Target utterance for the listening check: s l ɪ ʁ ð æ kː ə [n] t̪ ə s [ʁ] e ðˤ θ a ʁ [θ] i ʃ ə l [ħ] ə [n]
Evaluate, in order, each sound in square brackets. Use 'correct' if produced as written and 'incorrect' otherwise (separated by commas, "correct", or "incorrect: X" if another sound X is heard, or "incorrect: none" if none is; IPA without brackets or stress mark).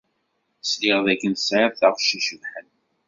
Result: correct, incorrect: ʕ, incorrect: ʃ, correct, correct